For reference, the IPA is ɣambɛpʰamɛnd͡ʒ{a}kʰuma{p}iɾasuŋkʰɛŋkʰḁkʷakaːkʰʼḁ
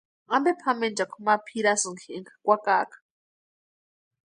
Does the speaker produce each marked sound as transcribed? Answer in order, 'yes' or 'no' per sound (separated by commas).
yes, no